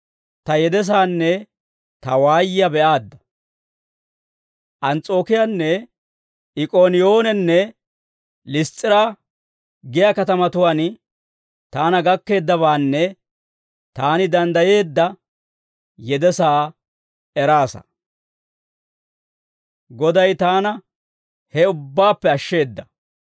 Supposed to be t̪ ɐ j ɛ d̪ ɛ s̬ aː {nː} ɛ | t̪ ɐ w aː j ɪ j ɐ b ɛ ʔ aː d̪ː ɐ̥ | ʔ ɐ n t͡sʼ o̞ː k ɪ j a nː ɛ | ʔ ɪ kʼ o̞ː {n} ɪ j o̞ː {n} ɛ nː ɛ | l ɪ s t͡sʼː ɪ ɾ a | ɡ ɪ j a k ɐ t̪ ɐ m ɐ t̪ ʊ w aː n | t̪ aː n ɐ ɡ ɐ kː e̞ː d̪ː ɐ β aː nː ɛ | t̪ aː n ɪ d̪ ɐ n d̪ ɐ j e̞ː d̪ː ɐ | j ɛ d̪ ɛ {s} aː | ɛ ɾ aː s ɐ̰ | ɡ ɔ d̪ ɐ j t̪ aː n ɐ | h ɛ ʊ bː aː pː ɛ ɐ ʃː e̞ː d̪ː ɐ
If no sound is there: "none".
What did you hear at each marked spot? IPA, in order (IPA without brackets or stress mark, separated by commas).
nː, n, n, s